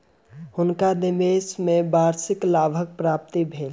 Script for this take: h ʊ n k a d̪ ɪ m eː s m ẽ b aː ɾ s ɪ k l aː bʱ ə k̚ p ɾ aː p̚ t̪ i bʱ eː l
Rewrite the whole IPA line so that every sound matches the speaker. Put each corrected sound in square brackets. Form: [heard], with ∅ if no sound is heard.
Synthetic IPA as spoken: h ʊ n k a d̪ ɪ m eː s m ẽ b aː ɾ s ɪ k l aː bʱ ə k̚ p ɾ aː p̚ t̪ i bʱ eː l